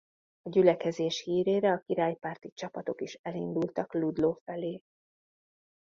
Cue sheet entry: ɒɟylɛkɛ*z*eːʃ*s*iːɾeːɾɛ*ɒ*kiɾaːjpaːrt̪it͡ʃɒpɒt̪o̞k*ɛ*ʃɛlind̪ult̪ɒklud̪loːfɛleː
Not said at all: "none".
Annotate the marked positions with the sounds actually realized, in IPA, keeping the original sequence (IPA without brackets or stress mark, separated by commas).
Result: z, h, ɒ, i